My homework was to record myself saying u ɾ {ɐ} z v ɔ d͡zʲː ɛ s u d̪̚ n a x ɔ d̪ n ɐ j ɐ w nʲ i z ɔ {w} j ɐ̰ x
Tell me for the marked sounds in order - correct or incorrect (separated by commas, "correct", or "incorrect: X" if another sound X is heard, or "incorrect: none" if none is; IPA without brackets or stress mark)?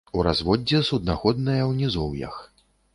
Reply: incorrect: a, correct